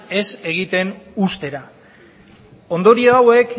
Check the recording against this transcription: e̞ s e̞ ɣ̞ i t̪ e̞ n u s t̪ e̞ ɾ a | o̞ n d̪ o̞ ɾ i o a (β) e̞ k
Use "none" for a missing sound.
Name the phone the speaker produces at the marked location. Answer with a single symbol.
w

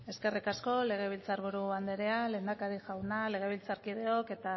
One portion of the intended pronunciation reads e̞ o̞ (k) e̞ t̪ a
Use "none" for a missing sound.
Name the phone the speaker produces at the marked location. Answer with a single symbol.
k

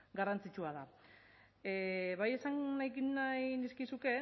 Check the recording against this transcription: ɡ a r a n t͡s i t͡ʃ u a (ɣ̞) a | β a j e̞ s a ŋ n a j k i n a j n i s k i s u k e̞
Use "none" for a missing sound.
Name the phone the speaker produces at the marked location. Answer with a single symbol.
ð̞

